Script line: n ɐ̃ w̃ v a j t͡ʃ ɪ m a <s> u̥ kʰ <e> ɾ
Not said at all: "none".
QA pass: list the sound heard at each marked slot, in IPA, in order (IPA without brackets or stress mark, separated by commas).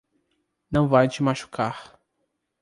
ʃ, a